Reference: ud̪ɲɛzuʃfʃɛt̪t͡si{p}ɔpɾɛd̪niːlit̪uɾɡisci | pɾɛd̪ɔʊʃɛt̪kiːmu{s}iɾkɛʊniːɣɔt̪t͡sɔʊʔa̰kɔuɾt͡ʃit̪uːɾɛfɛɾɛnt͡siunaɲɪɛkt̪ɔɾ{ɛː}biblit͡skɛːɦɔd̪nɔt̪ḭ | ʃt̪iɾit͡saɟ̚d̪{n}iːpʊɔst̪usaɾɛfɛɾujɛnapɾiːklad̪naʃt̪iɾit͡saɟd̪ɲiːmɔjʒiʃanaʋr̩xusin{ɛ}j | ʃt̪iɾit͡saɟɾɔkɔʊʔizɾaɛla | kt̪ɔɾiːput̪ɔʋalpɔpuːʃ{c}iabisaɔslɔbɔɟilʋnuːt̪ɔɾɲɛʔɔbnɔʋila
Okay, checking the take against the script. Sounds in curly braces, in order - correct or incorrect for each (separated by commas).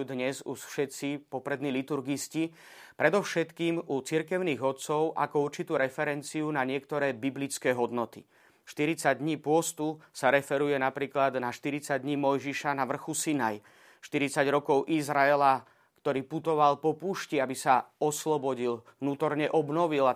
correct, incorrect, correct, incorrect, incorrect, correct